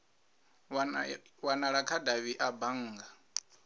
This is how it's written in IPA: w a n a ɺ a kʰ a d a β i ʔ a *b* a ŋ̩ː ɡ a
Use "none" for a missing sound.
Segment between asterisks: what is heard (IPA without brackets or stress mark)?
b